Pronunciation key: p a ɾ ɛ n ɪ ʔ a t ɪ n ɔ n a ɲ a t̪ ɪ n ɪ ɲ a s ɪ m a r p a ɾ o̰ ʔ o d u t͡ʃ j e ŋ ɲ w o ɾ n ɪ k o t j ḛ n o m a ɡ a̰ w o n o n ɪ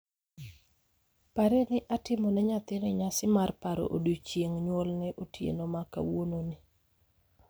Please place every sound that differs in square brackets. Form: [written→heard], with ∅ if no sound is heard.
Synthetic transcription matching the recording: p a ɾ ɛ n ɪ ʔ a t ɪ [n→m] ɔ n [a→ɛ] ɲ a t̪ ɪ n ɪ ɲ a s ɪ m a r p a ɾ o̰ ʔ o d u t͡ʃ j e ŋ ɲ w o [ɾ→l] n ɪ [k→ʔ] o t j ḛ n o m a [ɡ→k] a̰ w o n o n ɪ